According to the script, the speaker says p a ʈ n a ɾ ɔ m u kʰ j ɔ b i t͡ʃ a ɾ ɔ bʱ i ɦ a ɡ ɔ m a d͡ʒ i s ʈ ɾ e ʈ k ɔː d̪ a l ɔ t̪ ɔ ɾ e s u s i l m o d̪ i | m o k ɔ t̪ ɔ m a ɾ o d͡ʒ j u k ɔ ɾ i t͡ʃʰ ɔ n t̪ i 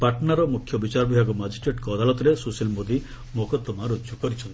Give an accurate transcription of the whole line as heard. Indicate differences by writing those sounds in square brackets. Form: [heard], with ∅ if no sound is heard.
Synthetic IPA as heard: p a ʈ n a ɾ ɔ m u kʰ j ɔ b i t͡ʃ a ɾ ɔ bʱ i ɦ a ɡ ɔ m a d͡ʒ i s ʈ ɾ e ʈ k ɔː d̪ a l ɔ t̪ ɔ ɾ e s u s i l m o d̪ i | m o k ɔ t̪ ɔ m a ɾ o d͡ʒ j u k ɔ ɾ i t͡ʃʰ ɔ n t̪ i